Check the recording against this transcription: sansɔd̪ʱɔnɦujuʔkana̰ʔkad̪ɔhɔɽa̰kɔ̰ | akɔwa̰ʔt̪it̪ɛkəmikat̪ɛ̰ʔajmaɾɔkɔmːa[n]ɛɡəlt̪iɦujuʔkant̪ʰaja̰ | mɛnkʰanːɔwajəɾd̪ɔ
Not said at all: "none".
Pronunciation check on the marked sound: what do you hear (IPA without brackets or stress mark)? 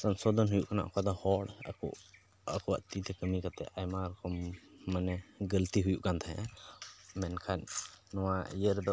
n